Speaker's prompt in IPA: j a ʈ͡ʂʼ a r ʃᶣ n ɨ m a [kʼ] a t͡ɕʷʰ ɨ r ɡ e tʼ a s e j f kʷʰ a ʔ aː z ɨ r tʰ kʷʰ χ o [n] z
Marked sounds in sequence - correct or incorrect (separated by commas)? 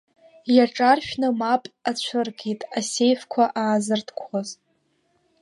incorrect, incorrect